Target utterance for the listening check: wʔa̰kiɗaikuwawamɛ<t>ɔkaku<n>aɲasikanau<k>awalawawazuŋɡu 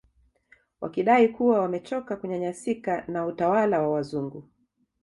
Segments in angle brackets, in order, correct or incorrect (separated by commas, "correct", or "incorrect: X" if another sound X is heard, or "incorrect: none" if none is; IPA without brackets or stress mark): incorrect: t͡ʃ, incorrect: ɲ, incorrect: t